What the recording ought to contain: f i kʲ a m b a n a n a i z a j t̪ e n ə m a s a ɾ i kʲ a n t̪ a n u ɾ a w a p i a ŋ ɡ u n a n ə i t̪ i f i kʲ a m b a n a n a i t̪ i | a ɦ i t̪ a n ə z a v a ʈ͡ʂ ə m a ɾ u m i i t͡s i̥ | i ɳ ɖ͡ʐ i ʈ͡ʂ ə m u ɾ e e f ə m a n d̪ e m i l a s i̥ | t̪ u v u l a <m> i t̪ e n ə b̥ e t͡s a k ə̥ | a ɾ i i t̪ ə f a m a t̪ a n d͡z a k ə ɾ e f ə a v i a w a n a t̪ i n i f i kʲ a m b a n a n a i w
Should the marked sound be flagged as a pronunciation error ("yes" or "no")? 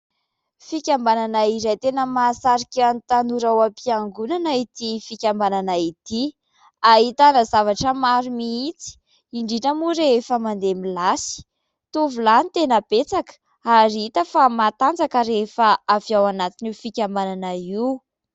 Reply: yes